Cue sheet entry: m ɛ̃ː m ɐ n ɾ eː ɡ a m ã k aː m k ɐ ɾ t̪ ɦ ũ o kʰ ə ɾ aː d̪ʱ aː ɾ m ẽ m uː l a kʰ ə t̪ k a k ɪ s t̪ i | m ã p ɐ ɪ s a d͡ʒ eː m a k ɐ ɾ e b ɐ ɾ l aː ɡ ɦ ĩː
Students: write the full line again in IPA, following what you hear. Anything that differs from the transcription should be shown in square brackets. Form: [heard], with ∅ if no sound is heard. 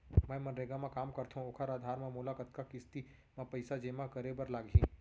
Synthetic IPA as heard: m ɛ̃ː m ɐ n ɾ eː ɡ a m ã k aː m k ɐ ɾ t̪ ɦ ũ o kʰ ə ɾ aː d̪ʱ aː ɾ m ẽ m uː l a [k] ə t̪ k a k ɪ s t̪ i | m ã p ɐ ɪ s a d͡ʒ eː m a k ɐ ɾ e b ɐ ɾ l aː ɡ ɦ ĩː